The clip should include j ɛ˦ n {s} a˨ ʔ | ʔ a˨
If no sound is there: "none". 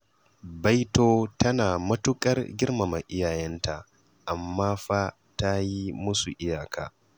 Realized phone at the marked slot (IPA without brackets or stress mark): t